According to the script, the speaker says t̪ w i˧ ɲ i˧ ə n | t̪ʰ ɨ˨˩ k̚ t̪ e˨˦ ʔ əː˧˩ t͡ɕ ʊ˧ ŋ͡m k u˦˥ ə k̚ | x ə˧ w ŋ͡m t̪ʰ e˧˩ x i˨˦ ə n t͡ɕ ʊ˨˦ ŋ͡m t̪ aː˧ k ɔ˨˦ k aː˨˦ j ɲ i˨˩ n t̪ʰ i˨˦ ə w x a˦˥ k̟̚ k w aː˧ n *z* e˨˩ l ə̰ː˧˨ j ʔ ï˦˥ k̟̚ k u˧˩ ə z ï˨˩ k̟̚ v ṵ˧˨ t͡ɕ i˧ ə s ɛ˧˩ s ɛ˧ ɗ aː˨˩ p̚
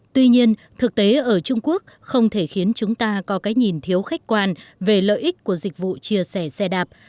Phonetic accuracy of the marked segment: incorrect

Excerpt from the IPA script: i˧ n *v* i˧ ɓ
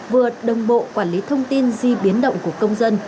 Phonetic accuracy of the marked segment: incorrect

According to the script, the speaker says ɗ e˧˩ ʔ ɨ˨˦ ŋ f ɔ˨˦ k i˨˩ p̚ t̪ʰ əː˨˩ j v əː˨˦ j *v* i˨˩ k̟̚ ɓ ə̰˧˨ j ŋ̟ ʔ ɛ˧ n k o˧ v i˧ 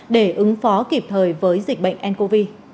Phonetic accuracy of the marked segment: incorrect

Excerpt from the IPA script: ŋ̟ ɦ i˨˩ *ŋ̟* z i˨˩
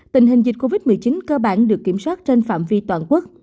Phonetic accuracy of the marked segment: correct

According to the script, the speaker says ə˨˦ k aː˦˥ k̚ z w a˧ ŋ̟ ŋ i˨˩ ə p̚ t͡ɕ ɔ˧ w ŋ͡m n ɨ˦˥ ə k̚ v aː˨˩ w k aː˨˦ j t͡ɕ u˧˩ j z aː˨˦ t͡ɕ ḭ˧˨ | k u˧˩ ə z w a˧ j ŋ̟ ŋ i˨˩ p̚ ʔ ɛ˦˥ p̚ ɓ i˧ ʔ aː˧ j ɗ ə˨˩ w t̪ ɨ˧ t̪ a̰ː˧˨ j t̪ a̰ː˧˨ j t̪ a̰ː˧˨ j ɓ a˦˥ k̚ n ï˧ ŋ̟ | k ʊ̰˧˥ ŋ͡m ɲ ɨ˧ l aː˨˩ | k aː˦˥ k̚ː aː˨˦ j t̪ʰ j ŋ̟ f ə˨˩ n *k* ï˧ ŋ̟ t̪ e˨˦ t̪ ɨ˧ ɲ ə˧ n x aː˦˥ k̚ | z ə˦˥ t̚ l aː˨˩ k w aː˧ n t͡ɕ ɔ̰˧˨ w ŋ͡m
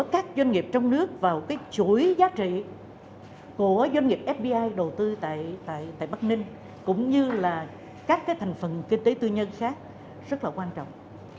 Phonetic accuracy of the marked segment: correct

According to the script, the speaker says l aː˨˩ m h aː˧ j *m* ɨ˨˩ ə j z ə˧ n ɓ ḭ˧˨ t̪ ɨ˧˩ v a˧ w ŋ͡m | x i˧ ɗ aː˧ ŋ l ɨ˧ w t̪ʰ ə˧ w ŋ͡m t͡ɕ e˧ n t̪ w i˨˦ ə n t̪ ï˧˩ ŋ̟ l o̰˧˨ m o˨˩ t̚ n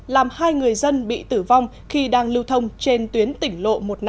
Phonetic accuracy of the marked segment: incorrect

